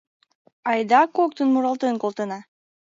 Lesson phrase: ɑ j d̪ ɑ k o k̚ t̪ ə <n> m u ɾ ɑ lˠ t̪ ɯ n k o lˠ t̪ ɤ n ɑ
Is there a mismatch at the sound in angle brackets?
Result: no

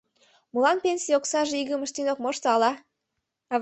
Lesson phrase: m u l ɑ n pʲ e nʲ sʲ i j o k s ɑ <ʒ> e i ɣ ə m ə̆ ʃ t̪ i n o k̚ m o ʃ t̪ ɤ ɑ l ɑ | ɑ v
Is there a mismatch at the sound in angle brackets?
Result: no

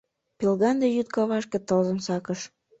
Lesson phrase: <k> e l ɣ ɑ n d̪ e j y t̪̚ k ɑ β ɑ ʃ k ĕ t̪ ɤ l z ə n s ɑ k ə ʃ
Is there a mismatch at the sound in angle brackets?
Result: yes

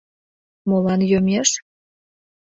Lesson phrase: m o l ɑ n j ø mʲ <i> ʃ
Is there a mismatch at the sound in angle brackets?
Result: yes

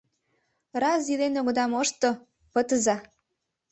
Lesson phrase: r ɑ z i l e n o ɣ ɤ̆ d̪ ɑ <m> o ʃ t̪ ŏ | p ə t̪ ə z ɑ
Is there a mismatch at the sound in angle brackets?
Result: no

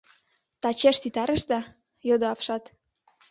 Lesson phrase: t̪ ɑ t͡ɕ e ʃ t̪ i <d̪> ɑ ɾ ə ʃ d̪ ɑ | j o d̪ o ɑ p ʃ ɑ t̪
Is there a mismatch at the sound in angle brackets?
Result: yes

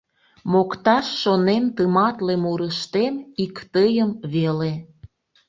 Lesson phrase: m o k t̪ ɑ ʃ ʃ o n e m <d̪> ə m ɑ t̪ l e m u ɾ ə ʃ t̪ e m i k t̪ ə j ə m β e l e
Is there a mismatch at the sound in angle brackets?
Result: yes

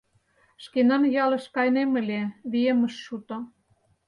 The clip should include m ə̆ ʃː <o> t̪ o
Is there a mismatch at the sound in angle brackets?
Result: yes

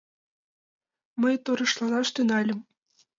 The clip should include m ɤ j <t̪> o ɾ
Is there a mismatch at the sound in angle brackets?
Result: no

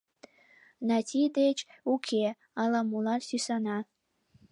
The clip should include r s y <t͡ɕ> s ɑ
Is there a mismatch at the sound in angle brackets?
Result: yes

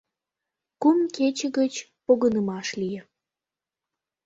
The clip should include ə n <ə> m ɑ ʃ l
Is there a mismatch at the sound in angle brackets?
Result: no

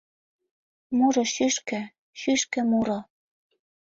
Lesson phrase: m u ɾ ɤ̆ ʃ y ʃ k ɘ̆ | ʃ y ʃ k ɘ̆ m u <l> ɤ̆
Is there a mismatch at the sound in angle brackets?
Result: yes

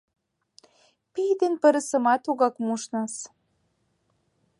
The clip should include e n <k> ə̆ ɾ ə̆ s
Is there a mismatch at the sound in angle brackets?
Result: yes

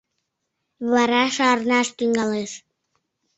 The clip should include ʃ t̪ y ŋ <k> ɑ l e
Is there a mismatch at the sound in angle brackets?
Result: yes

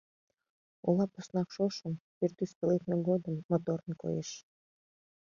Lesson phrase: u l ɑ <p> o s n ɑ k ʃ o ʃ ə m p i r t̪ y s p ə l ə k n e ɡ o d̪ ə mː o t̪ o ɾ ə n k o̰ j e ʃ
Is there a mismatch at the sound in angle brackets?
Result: no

